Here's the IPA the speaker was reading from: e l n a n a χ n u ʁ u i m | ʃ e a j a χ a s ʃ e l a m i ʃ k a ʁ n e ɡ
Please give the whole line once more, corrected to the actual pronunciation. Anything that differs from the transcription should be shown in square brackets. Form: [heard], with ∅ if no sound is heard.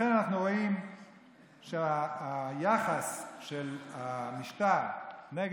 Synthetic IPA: e [∅] n a n a χ n u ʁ [o] i m | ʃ e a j a χ a s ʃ e l a m i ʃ [t] a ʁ n e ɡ